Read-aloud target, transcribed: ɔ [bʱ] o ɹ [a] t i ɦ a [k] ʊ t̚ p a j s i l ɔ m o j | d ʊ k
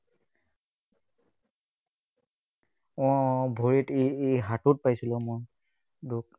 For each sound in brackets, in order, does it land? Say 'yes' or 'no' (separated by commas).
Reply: yes, no, no